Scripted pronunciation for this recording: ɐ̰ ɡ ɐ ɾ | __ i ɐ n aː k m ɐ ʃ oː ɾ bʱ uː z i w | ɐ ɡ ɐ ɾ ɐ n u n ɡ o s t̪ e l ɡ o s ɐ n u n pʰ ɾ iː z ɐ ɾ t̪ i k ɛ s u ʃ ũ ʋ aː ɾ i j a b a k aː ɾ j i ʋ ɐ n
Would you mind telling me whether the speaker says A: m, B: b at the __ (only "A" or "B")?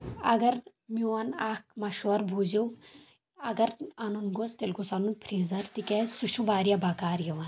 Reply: A